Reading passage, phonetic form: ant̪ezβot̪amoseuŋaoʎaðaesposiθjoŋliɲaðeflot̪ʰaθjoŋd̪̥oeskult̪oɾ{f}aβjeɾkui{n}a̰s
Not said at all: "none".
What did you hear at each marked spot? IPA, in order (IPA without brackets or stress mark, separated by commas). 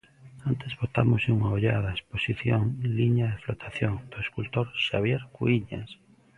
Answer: ʃ, ɲ